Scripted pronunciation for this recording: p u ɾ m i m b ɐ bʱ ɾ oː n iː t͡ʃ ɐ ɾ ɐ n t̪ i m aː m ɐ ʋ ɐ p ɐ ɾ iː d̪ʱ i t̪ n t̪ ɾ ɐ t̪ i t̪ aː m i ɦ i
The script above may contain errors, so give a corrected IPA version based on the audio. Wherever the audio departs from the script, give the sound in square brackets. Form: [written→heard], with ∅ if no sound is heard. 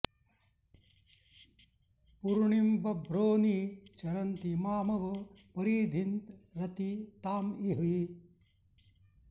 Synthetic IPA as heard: p u ɾ [m→ɳ] i m b ɐ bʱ ɾ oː n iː t͡ʃ ɐ ɾ ɐ n t̪ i m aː m ɐ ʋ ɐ p ɐ ɾ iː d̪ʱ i [t̪→∅] n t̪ ɾ ɐ t̪ i t̪ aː m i ɦ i

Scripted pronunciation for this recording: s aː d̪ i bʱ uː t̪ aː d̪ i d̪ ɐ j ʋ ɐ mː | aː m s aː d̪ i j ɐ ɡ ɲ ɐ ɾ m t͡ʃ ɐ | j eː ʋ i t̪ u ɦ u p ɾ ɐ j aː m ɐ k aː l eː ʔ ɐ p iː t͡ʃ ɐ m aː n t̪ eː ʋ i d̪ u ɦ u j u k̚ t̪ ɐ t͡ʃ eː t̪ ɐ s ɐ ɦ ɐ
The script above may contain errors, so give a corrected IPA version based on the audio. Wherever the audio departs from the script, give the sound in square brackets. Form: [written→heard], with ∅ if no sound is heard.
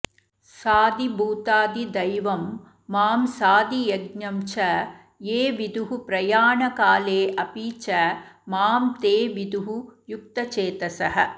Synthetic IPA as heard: s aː d̪ i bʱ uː t̪ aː d̪ i d̪ ɐ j ʋ ɐ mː | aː m s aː d̪ i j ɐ ɡ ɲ ɐ [ɾ→∅] m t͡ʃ ɐ | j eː ʋ i [t̪→d̪] u ɦ u p ɾ ɐ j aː [m→ɳ] ɐ k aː l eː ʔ ɐ p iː t͡ʃ ɐ m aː [n→m] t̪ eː ʋ i d̪ u ɦ u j u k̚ t̪ ɐ t͡ʃ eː t̪ ɐ s ɐ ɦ ɐ

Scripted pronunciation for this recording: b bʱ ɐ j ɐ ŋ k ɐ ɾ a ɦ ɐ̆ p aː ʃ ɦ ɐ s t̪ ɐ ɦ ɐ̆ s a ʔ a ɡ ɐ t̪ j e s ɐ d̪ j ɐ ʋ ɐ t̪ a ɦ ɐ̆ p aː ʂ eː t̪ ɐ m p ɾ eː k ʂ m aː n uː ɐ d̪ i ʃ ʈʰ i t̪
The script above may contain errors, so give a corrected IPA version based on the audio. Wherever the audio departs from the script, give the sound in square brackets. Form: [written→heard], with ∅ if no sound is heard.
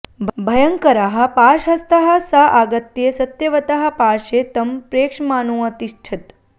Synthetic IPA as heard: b bʱ ɐ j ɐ ŋ k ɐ ɾ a ɦ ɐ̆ p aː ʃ ɦ ɐ s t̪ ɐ ɦ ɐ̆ s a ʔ a ɡ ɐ t̪ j e s ɐ [d̪→t̪] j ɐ ʋ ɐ t̪ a ɦ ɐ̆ p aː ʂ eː t̪ ɐ m p ɾ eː k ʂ m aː n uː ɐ [d̪→t̪] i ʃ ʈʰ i t̪

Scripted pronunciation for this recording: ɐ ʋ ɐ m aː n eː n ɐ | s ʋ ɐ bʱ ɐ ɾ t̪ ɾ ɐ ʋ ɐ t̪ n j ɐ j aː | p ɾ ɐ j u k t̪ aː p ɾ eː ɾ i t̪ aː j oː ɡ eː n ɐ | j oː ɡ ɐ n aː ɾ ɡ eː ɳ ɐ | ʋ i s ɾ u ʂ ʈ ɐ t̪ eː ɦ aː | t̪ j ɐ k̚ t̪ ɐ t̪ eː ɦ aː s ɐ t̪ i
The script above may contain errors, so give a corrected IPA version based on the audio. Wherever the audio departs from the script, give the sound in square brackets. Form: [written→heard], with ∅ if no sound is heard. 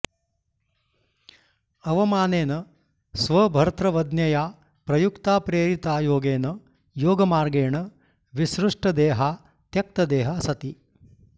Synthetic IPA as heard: ɐ ʋ ɐ m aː n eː n ɐ | s ʋ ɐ bʱ ɐ ɾ t̪ ɾ ɐ ʋ ɐ [t̪→d̪] n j ɐ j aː | p ɾ ɐ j u k t̪ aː p ɾ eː ɾ i t̪ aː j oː ɡ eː n ɐ | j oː ɡ ɐ [n→m] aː ɾ ɡ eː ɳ ɐ | ʋ i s ɾ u ʂ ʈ ɐ [t̪→d̪] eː ɦ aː | t̪ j ɐ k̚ t̪ ɐ [t̪→d̪] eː ɦ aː s ɐ t̪ i

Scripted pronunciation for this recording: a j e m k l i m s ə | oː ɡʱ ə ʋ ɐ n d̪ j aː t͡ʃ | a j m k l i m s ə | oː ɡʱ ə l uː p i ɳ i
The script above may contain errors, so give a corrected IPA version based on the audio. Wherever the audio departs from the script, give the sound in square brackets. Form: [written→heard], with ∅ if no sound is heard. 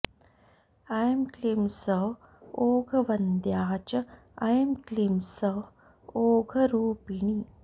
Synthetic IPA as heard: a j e m k l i m s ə | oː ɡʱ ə ʋ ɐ n d̪ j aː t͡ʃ | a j m k l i m s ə | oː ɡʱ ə [l→ɾ] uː p i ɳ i

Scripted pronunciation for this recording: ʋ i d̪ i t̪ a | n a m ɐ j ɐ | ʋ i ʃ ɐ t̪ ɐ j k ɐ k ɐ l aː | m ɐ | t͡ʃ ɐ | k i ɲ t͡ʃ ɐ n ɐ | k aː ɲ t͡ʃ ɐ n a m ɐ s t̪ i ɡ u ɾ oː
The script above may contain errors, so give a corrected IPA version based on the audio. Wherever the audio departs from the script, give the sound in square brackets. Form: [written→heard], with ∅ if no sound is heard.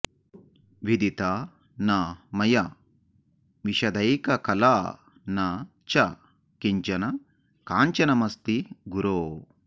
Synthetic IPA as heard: ʋ i d̪ i t̪ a | n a m ɐ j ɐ | ʋ i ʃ ɐ [t̪→d̪] ɐ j k ɐ k ɐ l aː | [m→n] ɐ | t͡ʃ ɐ | k i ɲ t͡ʃ ɐ n ɐ | k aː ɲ t͡ʃ ɐ n [a→ɐ] m ɐ s t̪ i ɡ u ɾ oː

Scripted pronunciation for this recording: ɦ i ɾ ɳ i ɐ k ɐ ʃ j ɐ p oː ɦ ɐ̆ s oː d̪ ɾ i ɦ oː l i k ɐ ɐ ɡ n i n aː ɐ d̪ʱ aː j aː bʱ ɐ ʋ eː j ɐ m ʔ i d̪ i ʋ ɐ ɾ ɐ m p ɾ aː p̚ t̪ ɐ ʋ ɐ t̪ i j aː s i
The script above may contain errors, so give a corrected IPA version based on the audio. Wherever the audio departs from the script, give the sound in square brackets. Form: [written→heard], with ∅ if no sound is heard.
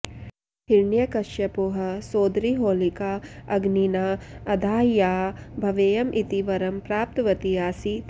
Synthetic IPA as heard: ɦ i ɾ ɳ [i→j] ɐ k ɐ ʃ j ɐ p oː ɦ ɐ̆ s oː d̪ ɾ i ɦ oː l i k [ɐ→a] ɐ ɡ n i n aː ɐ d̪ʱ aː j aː bʱ ɐ ʋ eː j ɐ m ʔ i [d̪→t̪] i ʋ ɐ ɾ ɐ m p ɾ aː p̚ t̪ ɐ ʋ ɐ t̪ i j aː s i

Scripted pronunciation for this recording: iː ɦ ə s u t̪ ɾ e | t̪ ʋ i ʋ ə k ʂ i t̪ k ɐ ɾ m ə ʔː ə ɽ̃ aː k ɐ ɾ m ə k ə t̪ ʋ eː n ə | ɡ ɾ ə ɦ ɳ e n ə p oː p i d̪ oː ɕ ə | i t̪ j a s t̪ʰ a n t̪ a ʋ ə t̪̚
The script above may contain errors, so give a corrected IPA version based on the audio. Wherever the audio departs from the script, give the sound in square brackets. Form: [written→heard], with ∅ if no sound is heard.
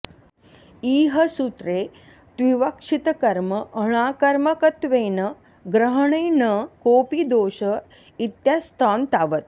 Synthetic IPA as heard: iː ɦ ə s u t̪ ɾ e | t̪ ʋ i ʋ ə k ʂ i t̪ k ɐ ɾ m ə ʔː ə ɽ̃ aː k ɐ ɾ m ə k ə t̪ ʋ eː n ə | ɡ ɾ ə ɦ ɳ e n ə [p→k] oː p i d̪ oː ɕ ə | i t̪ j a s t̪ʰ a n t̪ a ʋ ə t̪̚

